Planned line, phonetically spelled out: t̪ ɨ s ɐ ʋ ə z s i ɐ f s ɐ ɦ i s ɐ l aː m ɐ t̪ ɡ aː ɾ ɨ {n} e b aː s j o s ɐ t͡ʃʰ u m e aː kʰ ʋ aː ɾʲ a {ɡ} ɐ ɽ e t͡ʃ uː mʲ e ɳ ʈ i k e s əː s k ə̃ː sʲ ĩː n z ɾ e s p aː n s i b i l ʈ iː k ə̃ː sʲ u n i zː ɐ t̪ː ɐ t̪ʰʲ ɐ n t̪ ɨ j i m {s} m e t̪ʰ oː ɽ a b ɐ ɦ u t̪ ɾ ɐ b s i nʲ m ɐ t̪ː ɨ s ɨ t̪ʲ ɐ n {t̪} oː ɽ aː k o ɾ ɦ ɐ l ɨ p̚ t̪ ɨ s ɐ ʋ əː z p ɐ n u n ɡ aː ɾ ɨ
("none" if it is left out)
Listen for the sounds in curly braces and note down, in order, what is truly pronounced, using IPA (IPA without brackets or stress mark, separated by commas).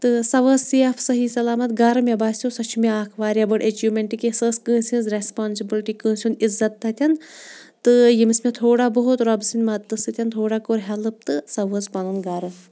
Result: m, b, s, t̪ʰ